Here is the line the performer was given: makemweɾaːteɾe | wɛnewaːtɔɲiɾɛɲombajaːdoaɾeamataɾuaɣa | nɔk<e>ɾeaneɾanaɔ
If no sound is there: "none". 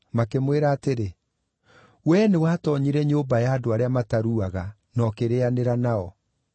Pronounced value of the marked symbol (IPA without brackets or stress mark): e